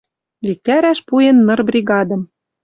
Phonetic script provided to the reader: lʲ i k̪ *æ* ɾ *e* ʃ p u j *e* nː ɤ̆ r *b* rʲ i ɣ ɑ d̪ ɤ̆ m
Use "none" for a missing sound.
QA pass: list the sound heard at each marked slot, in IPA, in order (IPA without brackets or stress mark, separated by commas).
æ, æ, e, b